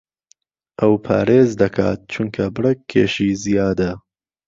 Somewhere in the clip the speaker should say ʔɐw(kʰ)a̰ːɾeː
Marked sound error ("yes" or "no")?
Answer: yes